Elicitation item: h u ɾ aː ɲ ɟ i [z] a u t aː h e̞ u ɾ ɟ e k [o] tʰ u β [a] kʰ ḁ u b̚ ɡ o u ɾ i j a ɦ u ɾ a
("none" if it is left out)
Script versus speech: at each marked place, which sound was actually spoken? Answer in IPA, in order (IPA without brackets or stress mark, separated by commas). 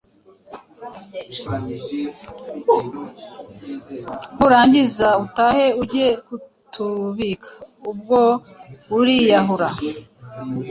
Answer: z, u, i